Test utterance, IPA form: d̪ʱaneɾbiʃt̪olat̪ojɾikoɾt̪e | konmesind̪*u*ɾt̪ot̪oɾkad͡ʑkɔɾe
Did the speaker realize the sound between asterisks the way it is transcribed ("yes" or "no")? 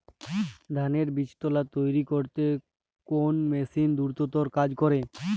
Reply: yes